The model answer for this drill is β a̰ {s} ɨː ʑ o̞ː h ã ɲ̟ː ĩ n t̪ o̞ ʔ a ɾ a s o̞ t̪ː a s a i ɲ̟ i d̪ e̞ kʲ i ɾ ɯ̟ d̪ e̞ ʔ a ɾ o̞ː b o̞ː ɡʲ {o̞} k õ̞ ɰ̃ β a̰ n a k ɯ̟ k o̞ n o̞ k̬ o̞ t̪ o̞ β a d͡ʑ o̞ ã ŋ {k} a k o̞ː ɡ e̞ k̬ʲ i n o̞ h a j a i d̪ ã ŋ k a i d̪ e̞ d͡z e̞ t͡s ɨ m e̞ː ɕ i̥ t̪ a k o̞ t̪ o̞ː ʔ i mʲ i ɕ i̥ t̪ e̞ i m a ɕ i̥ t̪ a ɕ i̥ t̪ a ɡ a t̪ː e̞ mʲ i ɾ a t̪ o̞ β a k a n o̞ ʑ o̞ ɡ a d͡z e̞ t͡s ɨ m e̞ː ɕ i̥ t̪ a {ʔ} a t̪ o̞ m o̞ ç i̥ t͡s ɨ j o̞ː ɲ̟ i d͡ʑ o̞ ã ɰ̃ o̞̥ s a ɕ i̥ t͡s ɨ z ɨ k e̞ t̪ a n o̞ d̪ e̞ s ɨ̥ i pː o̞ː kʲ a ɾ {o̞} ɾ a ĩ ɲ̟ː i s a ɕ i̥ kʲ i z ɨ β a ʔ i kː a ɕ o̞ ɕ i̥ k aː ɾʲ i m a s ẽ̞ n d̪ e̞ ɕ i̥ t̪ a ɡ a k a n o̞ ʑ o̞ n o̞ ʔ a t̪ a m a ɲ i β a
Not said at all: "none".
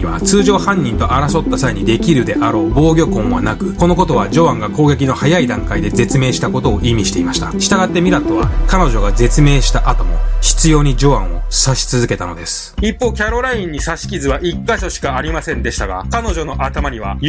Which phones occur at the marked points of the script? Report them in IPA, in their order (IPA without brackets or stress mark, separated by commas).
t͡s, o̞, ɡ, ʔ, o̞